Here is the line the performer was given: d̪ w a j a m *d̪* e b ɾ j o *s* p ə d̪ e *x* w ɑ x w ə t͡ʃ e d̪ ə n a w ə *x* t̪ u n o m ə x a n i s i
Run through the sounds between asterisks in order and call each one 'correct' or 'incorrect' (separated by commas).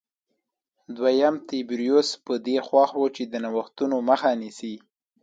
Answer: incorrect, correct, correct, correct